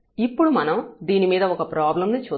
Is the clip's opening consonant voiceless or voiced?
voiceless